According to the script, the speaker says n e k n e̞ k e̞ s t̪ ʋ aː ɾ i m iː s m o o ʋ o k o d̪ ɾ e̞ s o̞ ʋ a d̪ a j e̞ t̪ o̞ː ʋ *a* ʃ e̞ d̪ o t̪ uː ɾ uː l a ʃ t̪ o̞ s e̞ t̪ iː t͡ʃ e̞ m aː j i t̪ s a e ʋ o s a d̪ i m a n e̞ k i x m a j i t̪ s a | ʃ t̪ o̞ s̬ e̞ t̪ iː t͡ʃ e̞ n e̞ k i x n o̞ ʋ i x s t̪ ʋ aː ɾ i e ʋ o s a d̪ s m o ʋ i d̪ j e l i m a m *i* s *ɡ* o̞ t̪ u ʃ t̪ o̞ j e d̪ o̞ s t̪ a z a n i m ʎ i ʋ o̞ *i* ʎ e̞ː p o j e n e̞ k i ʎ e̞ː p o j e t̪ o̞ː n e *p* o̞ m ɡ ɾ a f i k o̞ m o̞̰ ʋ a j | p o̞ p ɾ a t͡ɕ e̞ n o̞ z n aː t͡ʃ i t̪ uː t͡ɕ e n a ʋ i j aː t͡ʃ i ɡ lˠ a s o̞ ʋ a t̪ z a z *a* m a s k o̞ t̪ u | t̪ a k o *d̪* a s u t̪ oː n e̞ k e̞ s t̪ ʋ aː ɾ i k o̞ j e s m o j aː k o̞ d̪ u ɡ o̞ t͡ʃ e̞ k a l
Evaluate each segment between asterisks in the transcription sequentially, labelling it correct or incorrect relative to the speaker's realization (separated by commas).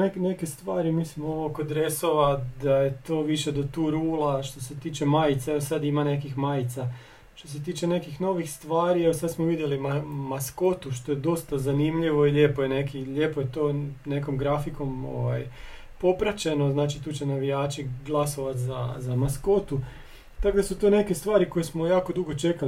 incorrect, incorrect, incorrect, correct, incorrect, correct, correct